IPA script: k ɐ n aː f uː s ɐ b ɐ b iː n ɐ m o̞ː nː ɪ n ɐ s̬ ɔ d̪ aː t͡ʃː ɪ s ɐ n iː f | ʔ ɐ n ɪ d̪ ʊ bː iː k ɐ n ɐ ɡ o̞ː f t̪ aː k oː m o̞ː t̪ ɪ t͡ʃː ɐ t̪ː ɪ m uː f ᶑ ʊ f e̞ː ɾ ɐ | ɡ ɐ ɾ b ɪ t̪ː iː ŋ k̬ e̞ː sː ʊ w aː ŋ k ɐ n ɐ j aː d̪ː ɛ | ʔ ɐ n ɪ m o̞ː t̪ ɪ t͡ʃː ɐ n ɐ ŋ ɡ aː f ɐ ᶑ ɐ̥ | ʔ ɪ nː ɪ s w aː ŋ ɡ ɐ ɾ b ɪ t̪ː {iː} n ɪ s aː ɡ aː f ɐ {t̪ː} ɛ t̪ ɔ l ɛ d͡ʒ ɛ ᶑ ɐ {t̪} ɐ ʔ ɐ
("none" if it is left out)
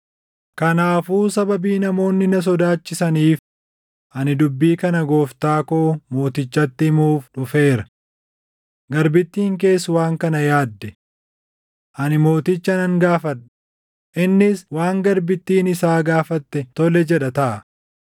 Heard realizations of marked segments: iː, t̪ː, t̪

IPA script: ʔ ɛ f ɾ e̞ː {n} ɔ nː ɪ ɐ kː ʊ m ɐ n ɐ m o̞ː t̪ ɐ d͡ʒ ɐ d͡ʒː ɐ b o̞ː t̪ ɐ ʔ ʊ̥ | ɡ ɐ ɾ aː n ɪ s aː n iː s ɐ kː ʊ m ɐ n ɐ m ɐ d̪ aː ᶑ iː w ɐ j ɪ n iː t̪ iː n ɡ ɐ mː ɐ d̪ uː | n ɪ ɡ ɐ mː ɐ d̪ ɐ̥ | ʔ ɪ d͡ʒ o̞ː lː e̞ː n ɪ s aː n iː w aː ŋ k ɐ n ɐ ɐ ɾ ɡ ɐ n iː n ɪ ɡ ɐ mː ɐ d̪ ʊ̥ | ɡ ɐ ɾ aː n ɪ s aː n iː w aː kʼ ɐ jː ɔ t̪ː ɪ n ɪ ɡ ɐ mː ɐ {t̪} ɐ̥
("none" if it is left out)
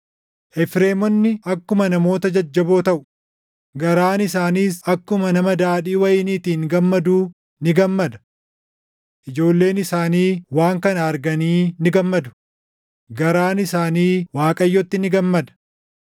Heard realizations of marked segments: m, d̪

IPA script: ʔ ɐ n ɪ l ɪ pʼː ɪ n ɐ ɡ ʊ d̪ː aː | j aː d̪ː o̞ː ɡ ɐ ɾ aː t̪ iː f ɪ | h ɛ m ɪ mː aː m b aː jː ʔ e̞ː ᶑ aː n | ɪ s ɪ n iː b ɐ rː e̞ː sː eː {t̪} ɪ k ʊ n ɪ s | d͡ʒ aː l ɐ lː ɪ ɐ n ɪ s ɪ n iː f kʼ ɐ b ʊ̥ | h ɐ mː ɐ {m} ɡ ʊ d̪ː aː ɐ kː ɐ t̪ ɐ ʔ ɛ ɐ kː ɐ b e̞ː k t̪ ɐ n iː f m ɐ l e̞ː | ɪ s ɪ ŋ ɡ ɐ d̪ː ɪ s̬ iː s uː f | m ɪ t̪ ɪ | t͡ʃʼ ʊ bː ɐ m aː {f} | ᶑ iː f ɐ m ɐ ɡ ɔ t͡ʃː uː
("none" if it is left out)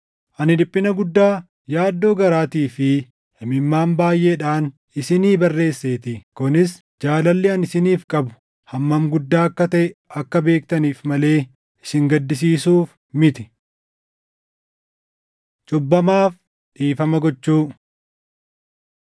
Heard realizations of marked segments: t̪, m, f

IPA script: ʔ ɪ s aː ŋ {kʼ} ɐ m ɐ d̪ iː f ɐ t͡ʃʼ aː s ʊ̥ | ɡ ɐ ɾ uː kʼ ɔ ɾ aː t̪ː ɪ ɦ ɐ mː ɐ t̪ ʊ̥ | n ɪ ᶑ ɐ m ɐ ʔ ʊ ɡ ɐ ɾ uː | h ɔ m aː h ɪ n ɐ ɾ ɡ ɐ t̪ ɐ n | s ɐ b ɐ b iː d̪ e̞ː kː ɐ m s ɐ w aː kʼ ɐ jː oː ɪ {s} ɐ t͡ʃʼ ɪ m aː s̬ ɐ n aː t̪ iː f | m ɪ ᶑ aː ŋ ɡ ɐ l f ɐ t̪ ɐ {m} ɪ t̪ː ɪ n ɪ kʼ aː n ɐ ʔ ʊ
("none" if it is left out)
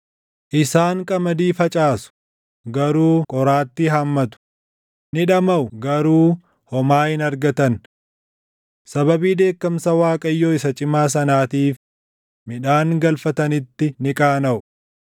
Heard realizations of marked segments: kʼ, s, n

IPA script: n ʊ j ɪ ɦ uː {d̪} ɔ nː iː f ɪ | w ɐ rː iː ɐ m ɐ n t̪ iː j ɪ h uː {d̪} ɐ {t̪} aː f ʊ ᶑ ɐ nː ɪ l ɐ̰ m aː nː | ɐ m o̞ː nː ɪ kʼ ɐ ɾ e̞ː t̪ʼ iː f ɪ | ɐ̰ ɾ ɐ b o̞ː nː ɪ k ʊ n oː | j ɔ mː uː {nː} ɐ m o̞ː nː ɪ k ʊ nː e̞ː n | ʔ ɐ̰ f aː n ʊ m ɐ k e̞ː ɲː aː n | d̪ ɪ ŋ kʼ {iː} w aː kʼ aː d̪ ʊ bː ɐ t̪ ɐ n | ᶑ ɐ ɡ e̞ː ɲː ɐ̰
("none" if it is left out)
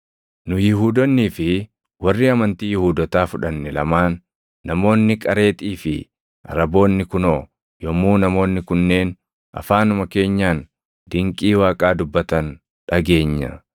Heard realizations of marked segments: d̪, d̪, t̪, n, iː

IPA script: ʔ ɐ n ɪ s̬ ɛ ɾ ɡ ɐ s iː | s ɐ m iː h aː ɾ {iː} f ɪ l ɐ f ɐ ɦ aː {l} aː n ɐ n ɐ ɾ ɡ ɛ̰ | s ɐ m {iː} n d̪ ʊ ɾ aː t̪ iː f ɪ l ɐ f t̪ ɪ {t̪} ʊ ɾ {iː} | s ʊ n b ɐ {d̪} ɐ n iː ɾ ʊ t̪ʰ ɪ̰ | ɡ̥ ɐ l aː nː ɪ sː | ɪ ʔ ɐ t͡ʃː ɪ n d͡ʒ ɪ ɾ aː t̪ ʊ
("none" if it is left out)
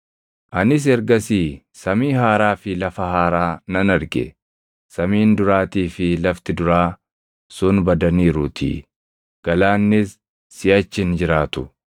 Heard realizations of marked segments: aː, ɾ, iː, d̪, aː, d̪

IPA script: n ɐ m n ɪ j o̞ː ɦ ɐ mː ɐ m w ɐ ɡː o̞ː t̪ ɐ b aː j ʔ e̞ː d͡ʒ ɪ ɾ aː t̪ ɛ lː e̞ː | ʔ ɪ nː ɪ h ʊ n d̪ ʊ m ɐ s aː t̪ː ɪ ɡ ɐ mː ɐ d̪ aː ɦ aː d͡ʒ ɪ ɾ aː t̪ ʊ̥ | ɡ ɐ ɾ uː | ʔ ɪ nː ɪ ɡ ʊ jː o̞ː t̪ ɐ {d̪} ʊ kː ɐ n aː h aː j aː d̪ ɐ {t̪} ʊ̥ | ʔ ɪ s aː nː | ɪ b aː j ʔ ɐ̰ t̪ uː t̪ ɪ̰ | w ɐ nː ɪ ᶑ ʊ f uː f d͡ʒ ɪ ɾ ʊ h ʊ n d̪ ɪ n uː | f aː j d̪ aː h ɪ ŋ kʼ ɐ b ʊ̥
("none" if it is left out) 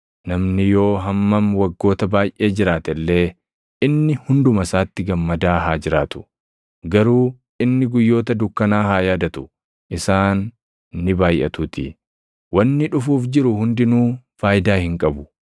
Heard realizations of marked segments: d̪, t̪

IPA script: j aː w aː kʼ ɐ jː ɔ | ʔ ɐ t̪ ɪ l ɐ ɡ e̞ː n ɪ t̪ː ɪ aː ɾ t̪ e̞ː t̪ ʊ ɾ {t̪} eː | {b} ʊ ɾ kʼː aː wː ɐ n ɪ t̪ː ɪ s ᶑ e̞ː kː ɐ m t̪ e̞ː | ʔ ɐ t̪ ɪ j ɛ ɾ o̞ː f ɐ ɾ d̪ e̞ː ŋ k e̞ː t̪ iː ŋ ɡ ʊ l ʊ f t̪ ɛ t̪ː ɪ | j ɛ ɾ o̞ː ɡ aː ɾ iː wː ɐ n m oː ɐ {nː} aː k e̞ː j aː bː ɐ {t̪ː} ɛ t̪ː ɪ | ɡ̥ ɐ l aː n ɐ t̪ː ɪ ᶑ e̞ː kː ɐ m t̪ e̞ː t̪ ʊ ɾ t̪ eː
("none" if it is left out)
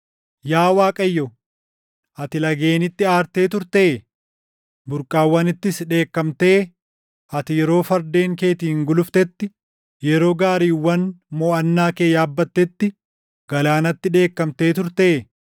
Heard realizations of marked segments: t̪, b, nː, t̪ː

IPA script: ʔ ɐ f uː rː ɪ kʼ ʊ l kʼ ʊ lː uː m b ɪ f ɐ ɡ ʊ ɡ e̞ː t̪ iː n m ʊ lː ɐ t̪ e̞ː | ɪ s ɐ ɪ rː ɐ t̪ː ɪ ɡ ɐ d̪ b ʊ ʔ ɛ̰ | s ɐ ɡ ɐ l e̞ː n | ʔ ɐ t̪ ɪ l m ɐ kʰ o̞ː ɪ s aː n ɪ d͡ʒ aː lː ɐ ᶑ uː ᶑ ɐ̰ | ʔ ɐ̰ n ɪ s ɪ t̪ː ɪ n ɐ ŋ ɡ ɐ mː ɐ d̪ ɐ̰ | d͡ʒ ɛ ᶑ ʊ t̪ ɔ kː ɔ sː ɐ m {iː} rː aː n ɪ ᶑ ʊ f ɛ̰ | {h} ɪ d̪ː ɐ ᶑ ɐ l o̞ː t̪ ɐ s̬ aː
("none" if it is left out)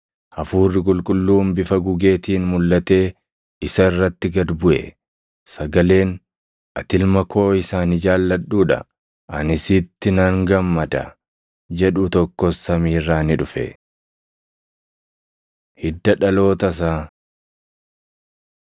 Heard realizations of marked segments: iː, h

